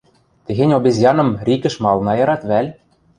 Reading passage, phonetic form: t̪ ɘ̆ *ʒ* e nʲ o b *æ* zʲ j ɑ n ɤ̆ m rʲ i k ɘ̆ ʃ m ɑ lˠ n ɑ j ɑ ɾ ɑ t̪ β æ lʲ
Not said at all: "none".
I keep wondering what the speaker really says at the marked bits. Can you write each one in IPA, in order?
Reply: ɣ, e

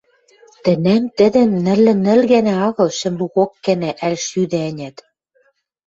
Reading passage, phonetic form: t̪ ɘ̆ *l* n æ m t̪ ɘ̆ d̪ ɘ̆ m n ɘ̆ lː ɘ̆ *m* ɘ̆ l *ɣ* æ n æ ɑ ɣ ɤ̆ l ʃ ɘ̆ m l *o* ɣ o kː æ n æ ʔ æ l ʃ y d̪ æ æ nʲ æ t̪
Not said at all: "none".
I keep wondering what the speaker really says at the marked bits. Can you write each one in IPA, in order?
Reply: none, n, ɣ, u

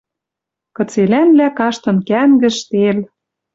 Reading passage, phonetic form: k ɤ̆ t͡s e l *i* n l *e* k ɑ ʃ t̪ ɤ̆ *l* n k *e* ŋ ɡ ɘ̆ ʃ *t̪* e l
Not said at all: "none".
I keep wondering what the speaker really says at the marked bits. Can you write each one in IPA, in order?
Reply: æ, æ, none, æ, t̪

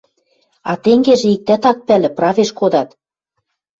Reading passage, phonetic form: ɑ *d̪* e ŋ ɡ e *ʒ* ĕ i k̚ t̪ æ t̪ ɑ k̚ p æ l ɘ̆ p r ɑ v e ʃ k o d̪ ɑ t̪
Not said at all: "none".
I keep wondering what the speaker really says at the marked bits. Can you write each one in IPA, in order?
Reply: t̪, ʒ

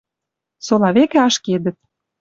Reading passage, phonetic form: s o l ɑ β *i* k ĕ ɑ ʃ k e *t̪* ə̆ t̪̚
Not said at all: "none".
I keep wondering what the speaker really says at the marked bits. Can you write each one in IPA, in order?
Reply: e, d̪

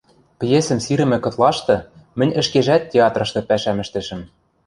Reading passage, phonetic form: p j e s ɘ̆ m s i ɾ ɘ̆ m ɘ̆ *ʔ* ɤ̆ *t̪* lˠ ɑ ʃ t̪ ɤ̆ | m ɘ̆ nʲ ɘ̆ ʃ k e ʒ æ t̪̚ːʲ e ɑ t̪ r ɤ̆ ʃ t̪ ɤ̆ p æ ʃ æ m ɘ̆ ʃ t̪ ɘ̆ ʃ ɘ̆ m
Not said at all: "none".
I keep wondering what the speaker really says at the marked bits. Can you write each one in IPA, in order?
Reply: k, t̪

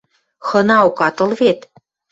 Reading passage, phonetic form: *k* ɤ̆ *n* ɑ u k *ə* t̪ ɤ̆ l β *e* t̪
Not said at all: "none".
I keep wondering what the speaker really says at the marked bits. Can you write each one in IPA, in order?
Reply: x, n, ɑ, e

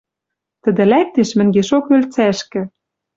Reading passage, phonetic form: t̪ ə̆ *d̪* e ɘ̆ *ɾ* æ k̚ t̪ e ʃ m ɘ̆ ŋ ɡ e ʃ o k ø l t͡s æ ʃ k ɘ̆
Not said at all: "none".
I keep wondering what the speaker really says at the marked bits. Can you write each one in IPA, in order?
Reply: d̪, l

